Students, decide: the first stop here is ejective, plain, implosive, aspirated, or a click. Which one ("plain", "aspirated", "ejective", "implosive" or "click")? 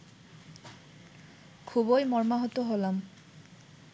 aspirated